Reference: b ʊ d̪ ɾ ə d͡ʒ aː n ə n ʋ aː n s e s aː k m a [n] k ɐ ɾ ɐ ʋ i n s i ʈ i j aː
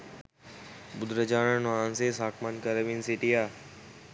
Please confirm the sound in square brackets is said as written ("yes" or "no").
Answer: yes